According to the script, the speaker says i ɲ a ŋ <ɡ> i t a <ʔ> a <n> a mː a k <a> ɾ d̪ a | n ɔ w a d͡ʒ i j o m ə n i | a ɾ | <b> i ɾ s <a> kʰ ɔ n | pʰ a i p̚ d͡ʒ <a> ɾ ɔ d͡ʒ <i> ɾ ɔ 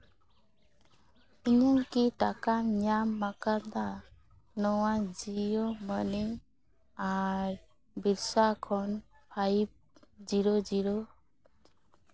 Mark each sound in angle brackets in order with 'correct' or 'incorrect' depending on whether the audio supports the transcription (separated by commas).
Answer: incorrect, incorrect, incorrect, correct, correct, correct, incorrect, correct